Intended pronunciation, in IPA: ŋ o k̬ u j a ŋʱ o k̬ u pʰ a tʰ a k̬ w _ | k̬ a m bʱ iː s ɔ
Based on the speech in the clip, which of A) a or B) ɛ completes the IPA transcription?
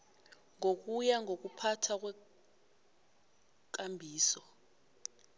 B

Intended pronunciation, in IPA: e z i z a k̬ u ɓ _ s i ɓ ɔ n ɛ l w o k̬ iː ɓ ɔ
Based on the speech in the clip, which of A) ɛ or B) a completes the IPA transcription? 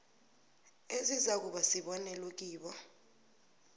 B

